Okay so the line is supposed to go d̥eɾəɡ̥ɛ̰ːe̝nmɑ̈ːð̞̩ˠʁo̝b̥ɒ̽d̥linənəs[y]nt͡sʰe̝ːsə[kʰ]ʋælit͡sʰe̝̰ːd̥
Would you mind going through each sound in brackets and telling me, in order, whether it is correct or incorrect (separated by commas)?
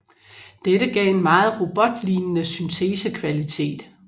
correct, correct